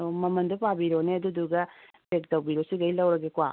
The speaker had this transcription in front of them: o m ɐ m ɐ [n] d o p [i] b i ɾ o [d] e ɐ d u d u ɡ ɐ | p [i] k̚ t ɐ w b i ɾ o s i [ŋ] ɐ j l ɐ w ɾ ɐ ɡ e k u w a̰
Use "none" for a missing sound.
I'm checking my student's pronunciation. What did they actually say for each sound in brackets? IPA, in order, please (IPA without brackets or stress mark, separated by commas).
n, a, n, e, ɡ